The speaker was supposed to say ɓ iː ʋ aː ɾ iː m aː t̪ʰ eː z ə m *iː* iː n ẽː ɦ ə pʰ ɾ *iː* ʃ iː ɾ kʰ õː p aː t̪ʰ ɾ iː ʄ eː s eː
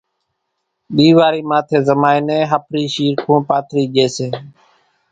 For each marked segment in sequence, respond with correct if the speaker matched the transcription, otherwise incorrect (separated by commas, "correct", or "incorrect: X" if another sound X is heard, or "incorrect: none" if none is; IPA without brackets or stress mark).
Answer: incorrect: aː, correct